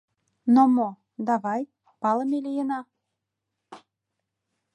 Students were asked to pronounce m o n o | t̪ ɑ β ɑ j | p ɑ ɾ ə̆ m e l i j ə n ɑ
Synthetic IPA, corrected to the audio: n o m o | d̪ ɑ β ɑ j | p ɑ l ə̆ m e l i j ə n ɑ